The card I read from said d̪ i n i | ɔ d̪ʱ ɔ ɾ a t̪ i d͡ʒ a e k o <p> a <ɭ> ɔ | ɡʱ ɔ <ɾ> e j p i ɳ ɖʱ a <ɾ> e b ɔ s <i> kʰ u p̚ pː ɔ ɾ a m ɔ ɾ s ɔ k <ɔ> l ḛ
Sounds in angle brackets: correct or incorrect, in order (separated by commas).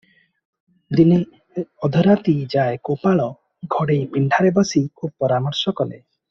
correct, correct, incorrect, correct, correct, correct